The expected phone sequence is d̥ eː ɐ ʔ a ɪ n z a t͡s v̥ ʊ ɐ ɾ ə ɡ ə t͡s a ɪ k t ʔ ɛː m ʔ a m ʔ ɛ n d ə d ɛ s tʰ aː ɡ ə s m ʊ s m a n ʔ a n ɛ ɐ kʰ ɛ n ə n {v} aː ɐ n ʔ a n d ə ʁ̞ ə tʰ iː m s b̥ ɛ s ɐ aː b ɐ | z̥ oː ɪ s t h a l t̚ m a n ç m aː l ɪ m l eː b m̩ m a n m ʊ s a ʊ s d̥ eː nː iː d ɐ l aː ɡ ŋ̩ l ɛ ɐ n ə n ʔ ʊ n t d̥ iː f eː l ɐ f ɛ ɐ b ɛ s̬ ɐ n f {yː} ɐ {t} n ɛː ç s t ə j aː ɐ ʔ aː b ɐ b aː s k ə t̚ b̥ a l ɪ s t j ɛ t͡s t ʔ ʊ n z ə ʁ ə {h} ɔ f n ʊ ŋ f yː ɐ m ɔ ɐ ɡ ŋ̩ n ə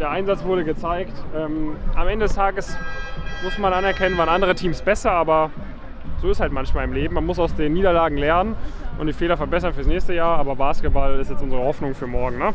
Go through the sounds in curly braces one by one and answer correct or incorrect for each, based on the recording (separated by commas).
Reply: correct, correct, incorrect, correct